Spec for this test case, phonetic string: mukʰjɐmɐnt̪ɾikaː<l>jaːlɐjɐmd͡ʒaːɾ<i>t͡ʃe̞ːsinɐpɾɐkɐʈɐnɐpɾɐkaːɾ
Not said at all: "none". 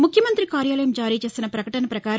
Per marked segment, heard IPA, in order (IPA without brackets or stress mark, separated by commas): ɾ, iː